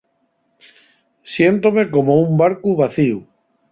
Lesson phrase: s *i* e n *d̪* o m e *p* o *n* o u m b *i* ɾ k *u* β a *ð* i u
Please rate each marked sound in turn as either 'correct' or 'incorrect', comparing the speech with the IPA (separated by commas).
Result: incorrect, incorrect, incorrect, incorrect, incorrect, correct, incorrect